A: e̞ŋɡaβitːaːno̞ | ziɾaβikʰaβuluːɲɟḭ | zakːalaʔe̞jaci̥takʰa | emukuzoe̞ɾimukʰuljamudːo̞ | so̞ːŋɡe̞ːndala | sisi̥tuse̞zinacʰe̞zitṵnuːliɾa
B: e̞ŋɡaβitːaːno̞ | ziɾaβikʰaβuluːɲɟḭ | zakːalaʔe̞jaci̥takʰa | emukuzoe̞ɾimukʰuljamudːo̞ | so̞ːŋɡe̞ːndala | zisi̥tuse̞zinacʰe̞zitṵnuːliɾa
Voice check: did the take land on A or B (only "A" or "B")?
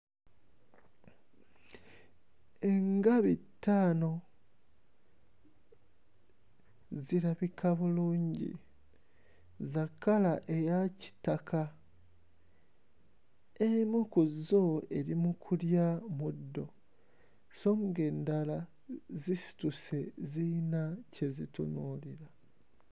B